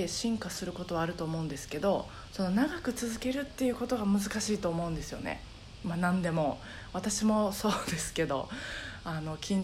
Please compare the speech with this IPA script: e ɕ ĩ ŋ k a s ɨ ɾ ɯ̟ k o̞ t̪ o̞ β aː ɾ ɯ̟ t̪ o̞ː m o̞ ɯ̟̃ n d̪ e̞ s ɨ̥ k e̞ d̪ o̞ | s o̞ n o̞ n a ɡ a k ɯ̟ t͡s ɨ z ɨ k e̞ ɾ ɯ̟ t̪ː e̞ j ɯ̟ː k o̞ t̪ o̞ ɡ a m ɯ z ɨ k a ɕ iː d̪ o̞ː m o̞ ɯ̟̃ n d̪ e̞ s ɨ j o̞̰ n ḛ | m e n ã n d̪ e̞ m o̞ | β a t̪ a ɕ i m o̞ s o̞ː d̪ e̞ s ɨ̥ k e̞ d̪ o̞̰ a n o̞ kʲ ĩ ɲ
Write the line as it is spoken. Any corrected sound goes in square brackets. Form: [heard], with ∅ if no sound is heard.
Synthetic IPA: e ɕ ĩ ŋ k a s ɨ ɾ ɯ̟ k o̞ t̪ o̞ β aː ɾ ɯ̟ t̪ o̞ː m o̞ ɯ̟̃ n d̪ e̞ s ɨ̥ k e̞ d̪ o̞ | s o̞ n o̞ n a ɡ a k ɯ̟ t͡s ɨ z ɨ k e̞ ɾ ɯ̟ t̪ː e̞ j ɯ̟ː k o̞ t̪ o̞ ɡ a m ɯ z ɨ k a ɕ iː [t̪] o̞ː m o̞ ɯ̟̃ n d̪ e̞ s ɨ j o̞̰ n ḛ | m [a] n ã n d̪ e̞ m o̞ | β a t̪ a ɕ i m o̞ s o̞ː d̪ e̞ s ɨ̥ k e̞ d̪ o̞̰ a n o̞ kʲ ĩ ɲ